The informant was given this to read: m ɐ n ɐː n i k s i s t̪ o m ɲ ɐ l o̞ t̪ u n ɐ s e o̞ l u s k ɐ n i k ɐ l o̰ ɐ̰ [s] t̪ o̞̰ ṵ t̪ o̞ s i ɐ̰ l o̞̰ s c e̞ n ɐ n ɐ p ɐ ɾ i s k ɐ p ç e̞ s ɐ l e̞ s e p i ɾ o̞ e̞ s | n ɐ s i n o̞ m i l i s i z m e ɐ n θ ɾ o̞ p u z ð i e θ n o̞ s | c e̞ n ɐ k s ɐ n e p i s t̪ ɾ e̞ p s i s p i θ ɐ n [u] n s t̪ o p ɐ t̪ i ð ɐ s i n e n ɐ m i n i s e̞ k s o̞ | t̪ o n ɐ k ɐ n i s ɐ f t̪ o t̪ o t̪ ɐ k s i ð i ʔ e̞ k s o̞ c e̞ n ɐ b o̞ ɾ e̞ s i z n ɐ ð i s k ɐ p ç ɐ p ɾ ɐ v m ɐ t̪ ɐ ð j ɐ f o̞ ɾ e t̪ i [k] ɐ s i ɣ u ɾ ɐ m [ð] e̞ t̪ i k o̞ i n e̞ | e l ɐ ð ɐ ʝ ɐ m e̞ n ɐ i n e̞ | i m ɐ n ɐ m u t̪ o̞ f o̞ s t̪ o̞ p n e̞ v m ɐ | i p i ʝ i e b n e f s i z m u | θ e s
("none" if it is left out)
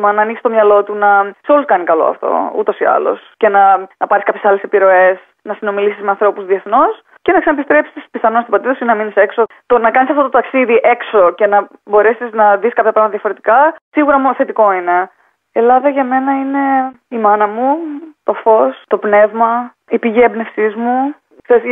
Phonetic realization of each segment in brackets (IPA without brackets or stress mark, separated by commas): f, o, k, θ